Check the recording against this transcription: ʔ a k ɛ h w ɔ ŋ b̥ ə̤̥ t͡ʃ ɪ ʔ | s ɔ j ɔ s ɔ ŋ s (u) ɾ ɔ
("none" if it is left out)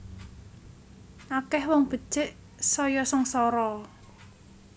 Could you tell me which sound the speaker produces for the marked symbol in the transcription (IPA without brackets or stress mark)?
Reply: ɔ